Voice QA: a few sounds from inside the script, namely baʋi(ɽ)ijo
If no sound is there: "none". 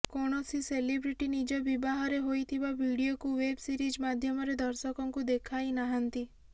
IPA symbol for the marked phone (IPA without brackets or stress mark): ɽ